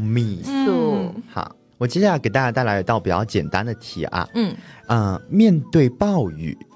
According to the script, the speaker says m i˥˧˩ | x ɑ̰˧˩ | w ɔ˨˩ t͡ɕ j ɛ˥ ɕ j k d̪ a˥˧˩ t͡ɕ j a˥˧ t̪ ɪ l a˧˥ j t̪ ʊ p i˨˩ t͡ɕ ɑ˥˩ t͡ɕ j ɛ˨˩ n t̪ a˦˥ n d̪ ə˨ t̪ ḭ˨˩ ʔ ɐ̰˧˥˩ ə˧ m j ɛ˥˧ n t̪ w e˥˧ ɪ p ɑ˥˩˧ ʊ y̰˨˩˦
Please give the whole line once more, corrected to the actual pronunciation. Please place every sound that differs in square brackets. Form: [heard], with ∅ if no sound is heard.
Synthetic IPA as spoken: m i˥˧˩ | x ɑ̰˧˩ | w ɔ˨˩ t͡ɕ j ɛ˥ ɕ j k [t̪] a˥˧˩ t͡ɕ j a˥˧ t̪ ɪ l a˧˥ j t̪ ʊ p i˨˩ t͡ɕ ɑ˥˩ t͡ɕ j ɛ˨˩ n t̪ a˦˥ n d̪ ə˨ [t̪ʰ] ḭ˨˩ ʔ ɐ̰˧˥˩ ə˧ m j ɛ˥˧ n t̪ w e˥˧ ɪ p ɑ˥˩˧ ʊ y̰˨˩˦